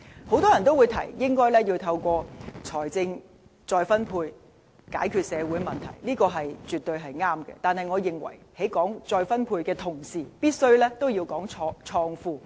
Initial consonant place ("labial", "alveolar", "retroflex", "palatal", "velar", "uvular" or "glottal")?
glottal